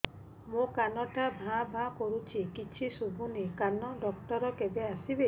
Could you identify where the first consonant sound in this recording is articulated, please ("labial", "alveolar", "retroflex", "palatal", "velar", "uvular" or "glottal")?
labial